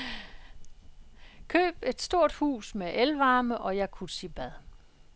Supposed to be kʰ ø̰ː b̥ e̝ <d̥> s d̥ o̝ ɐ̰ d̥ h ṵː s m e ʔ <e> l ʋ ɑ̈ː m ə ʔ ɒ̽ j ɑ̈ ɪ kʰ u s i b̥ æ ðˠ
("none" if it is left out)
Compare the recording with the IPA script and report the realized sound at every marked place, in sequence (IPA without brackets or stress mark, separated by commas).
d̥, e